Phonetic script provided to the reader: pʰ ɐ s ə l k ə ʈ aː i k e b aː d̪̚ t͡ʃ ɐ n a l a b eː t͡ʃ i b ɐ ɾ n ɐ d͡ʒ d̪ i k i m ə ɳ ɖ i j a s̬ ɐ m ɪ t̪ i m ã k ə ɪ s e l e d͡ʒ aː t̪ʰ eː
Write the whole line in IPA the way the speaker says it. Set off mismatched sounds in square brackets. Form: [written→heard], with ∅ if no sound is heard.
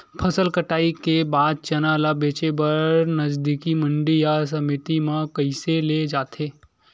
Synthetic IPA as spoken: pʰ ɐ s ə l k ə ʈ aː i k e b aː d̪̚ t͡ʃ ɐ n a l a b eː t͡ʃ [i→e] b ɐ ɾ n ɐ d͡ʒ d̪ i k i m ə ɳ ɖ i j a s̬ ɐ m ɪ t̪ i m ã k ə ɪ s e l e d͡ʒ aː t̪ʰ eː